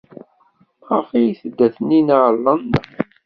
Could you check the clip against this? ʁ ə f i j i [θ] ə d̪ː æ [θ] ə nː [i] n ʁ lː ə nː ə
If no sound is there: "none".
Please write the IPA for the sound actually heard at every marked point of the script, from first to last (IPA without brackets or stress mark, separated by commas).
θ, θ, i